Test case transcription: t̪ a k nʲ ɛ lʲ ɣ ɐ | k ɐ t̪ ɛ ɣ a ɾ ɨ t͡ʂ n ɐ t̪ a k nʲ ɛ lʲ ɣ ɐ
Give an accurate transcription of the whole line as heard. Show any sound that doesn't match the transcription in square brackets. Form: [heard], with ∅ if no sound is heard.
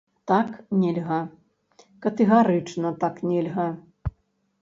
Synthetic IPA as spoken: t̪ a k nʲ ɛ lʲ ɣ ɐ | k ɐ t̪ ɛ ɣ a ɾ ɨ t͡ʂ n ɐ t̪ a k nʲ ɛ lʲ ɣ ɐ

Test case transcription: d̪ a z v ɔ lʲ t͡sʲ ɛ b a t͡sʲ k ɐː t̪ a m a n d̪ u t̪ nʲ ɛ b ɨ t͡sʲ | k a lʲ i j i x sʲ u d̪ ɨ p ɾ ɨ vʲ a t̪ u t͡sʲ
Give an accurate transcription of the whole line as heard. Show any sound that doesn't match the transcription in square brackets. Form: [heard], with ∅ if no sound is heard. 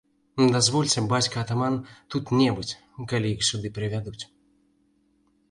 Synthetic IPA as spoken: d̪ a z v ɔ lʲ t͡sʲ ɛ b a t͡sʲ k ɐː t̪ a m a n [t̪] u t̪ nʲ ɛ b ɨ t͡sʲ | k a lʲ i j i x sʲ u d̪ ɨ p ɾ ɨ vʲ a [d̪] u t͡sʲ

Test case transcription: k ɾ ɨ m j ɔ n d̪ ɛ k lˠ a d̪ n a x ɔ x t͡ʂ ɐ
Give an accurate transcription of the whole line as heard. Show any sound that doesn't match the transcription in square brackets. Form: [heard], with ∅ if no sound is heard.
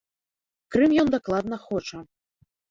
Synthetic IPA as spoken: k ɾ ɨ m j ɔ n d̪ [a] k lˠ a d̪ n [ɐ] x ɔ [∅] t͡ʂ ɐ

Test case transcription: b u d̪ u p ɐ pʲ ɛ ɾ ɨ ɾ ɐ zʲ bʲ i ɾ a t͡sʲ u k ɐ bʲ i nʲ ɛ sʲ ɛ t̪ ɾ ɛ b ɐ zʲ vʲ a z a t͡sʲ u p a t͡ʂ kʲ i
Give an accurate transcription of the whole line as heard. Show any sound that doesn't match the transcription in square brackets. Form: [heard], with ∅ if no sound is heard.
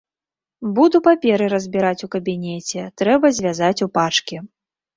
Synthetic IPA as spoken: b u d̪ u p [a] pʲ ɛ ɾ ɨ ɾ ɐ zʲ bʲ i ɾ a t͡sʲ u k ɐ bʲ i nʲ ɛ [t͡sʲ] ɛ t̪ ɾ ɛ b ɐ zʲ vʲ a z a t͡sʲ u p a t͡ʂ kʲ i

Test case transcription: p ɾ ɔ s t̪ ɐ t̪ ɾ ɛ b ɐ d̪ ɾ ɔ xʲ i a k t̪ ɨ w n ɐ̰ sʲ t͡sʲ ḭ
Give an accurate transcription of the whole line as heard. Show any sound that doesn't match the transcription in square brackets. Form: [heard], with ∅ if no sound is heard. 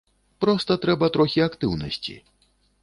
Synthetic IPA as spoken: p ɾ ɔ s t̪ ɐ t̪ ɾ ɛ b ɐ [t̪] ɾ ɔ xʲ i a k t̪ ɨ w n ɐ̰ sʲ t͡sʲ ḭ

